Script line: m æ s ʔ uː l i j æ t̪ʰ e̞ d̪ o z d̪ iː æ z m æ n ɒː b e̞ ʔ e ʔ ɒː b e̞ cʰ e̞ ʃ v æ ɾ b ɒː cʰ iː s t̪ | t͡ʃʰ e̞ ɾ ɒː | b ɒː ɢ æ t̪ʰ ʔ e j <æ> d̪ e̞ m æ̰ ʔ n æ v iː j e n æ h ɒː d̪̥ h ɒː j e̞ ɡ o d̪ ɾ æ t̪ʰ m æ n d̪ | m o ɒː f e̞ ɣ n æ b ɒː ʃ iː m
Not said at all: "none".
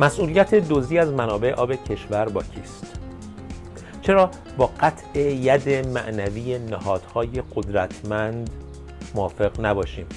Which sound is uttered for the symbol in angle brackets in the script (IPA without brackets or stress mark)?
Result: æ